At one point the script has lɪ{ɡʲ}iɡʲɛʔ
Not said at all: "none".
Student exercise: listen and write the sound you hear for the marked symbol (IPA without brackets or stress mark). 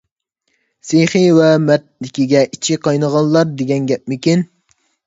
kʲ